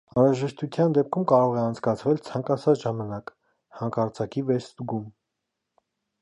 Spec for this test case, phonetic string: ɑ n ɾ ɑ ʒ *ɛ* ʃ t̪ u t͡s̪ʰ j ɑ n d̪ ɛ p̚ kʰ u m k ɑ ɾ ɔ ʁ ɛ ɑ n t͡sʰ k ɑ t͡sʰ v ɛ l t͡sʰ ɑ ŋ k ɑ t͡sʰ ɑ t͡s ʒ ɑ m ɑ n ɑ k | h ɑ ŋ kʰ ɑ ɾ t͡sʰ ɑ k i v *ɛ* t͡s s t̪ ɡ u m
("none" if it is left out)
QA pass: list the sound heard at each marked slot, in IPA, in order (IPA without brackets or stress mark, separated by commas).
ɛ, ɛ